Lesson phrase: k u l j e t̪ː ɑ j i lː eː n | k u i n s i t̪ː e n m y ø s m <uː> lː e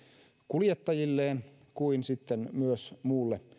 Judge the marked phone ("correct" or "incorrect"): correct